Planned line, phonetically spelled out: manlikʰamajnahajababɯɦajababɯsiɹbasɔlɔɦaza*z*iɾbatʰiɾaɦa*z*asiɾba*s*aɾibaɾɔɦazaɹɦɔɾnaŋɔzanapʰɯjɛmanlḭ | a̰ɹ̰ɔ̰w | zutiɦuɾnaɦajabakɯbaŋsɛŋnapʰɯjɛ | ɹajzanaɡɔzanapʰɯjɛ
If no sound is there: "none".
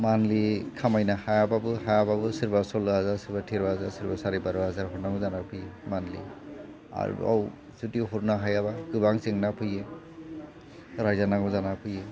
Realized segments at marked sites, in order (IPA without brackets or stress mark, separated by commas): s, z, s